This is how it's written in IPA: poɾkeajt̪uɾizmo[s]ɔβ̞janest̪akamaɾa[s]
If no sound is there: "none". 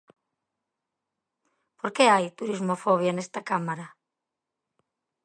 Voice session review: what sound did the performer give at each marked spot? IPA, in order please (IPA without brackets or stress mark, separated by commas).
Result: f, none